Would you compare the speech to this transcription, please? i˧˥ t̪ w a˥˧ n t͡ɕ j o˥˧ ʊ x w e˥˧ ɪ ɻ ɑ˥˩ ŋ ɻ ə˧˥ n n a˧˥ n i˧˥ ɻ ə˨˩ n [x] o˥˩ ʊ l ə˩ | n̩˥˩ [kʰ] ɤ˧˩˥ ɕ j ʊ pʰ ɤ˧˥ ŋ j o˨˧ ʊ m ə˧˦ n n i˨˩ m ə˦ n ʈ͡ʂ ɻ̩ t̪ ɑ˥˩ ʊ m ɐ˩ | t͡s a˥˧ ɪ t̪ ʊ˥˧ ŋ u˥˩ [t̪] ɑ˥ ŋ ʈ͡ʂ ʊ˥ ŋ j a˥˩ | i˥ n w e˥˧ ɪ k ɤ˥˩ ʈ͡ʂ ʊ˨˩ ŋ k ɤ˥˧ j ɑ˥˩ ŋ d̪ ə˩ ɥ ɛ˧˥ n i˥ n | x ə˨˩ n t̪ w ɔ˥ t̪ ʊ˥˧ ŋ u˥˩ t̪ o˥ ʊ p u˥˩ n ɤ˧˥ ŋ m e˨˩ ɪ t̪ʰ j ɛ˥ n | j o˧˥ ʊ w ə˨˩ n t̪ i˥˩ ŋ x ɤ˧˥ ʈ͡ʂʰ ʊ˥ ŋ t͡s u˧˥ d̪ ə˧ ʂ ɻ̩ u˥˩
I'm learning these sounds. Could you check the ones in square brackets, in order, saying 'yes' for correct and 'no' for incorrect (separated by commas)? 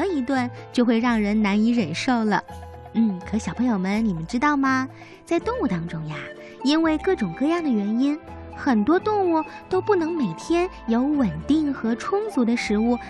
no, yes, yes